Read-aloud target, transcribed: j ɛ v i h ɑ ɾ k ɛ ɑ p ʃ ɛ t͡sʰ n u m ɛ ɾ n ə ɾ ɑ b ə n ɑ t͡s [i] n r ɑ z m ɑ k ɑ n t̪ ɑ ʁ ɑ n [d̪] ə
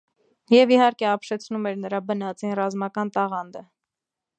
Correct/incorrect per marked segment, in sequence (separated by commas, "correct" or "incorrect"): correct, correct